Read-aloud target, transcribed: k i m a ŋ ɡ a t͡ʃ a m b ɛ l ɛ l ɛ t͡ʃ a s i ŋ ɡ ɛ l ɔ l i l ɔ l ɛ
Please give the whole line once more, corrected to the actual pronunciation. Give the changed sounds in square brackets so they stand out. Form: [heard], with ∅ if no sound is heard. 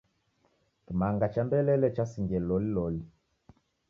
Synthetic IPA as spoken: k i m a ŋ ɡ a t͡ʃ a m b ɛ l ɛ l ɛ t͡ʃ a s i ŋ ɡ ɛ l ɔ l i l ɔ l [i]